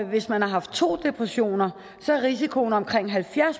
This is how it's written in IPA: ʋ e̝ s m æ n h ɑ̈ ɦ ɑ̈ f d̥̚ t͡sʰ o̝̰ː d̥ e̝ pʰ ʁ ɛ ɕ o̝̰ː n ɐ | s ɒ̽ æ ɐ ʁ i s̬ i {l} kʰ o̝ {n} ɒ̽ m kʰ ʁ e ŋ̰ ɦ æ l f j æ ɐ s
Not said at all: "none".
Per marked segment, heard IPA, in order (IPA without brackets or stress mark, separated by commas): none, n